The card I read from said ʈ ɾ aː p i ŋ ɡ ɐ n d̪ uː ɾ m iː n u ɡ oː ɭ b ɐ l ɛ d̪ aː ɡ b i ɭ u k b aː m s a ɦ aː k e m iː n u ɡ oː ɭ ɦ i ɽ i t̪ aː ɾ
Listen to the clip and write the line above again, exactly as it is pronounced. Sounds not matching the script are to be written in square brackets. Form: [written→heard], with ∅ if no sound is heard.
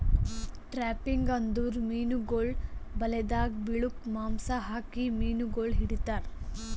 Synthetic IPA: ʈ ɾ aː p i ŋ ɡ ɐ n d̪ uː ɾ m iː n u ɡ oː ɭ b ɐ l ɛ d̪ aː ɡ b i ɭ u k [b→m] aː m s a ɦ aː k [e→i] m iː n u ɡ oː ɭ ɦ i ɽ i t̪ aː ɾ